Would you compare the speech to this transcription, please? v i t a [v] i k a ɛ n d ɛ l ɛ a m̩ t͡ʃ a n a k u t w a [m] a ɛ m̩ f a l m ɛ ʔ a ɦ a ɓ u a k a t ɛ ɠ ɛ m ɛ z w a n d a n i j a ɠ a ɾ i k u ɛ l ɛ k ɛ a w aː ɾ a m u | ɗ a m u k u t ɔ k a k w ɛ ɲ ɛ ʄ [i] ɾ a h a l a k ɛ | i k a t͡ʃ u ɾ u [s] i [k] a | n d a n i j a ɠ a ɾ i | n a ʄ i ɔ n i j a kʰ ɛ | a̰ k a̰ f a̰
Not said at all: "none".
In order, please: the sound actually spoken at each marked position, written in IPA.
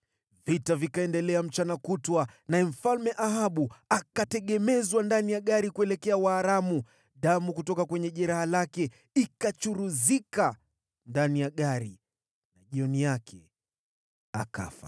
v, n, ɛ, z, k

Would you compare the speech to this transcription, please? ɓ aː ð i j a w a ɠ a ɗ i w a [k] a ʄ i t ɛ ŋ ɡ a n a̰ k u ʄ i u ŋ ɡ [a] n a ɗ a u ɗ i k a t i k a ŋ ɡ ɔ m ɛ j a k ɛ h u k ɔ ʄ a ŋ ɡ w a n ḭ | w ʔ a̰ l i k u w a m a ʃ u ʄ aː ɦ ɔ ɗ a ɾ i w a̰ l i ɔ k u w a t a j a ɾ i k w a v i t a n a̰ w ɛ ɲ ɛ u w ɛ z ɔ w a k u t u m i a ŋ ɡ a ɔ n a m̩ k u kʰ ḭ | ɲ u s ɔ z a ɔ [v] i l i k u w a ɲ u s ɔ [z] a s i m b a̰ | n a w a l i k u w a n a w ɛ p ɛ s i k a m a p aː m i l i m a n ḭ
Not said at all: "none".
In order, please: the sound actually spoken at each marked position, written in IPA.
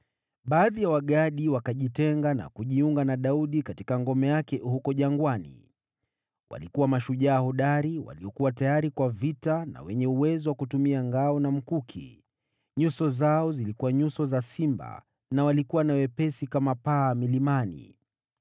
k, a, z, z

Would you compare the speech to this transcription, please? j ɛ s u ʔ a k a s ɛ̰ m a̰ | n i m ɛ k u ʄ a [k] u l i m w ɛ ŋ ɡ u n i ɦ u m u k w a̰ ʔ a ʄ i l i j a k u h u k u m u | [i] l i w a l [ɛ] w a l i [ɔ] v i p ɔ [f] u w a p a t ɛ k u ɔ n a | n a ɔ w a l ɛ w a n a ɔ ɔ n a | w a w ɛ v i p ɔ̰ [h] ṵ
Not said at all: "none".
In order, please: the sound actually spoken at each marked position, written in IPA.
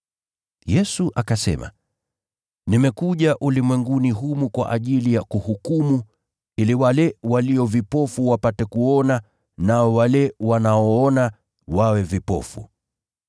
ʔ, i, ɛ, ɔ, f, f

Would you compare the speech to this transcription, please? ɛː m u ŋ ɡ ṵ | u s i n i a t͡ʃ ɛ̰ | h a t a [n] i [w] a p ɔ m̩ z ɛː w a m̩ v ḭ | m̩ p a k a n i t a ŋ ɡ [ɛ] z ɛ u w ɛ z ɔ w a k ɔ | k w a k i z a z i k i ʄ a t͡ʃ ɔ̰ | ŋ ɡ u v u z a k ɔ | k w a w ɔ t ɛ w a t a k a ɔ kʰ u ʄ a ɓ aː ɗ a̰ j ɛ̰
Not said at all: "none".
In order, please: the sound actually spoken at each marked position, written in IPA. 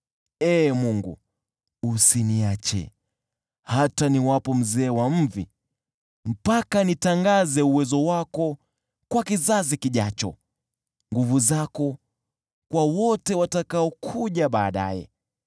n, w, a

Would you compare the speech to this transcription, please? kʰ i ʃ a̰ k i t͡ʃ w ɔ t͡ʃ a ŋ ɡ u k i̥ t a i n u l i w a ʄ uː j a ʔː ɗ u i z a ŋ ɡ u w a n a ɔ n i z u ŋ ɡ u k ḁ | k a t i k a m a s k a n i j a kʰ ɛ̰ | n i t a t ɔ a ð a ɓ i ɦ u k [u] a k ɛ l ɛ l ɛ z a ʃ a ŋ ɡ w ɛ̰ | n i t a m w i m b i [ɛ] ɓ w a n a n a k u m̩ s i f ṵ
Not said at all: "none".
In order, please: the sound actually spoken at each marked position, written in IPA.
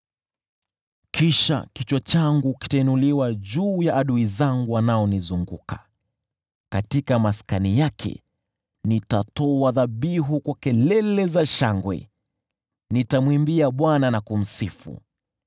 w, a

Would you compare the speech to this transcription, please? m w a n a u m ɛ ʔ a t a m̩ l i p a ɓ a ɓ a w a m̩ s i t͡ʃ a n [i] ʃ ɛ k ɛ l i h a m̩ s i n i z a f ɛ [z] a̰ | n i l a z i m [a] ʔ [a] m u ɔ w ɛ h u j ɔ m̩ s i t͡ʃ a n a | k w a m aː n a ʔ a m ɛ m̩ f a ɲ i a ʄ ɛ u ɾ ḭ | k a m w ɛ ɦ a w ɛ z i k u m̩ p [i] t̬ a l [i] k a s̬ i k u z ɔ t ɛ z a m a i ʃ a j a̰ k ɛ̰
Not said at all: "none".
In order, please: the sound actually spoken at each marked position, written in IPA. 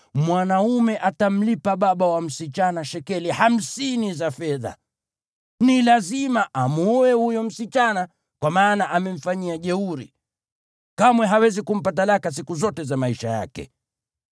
a, ð, a, a, a, a

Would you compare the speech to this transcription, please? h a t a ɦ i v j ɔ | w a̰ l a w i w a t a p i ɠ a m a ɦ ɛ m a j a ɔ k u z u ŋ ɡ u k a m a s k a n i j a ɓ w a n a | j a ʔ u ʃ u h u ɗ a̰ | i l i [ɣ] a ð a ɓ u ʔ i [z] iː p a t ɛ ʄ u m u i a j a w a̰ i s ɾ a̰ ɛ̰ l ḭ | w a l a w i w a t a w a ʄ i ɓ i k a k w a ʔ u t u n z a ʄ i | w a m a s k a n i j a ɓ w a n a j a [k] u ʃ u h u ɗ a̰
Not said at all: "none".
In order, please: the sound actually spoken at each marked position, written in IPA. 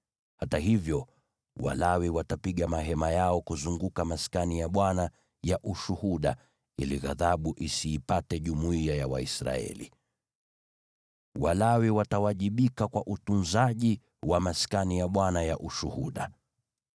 ɣ, s, ʔ

